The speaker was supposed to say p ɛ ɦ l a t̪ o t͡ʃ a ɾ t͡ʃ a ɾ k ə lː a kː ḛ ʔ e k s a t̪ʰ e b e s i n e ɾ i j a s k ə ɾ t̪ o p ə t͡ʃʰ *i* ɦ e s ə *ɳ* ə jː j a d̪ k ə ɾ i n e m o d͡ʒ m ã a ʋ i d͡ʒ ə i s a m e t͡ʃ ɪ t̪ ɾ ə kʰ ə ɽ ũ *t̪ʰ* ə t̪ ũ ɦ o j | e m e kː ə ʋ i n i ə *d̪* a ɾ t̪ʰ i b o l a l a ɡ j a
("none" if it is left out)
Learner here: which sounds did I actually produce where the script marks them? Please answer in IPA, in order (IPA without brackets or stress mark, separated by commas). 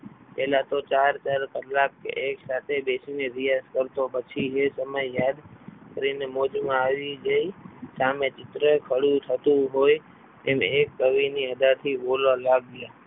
i, m, t̪ʰ, d̪